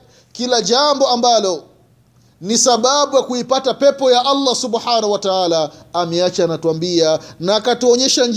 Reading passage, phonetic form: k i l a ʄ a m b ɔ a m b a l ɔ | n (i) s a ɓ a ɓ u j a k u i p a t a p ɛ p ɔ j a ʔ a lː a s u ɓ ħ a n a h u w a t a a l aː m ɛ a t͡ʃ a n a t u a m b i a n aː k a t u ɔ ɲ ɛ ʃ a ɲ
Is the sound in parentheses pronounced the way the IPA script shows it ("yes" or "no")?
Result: yes